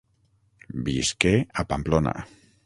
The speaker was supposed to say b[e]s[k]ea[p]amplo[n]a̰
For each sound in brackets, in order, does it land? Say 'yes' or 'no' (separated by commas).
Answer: no, yes, yes, yes